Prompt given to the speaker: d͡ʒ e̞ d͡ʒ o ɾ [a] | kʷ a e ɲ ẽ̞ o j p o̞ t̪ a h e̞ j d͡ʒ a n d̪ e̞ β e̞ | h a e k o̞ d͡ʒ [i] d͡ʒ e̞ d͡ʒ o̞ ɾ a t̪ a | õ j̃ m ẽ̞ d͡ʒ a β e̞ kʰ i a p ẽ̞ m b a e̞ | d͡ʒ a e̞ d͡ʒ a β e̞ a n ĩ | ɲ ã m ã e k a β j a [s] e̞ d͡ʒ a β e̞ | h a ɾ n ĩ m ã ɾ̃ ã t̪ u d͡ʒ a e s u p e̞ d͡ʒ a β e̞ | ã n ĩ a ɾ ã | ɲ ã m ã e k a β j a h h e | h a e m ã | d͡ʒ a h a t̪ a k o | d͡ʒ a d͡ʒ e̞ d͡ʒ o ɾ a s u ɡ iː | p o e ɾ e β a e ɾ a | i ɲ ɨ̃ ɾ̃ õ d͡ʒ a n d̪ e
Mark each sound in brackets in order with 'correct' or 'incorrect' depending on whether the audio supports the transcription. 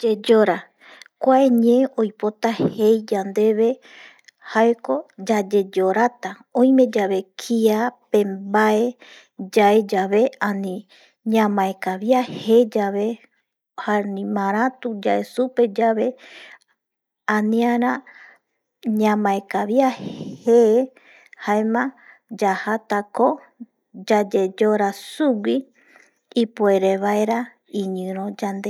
correct, incorrect, incorrect

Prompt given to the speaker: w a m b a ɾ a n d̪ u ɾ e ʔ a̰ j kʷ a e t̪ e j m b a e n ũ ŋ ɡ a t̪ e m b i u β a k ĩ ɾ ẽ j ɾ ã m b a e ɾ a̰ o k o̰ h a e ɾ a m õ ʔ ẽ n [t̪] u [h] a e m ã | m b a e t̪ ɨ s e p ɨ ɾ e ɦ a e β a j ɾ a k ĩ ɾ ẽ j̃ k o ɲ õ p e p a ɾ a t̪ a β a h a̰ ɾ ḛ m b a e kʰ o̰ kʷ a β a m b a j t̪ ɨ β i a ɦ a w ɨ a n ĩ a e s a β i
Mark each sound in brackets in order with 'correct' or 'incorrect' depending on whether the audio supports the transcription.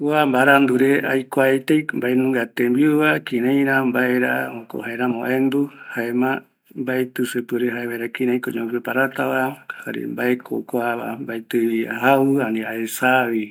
incorrect, correct

